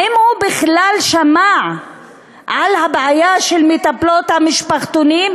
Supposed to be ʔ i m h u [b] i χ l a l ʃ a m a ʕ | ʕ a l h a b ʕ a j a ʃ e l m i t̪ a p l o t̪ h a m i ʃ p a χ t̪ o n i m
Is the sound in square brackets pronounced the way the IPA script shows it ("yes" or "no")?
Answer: yes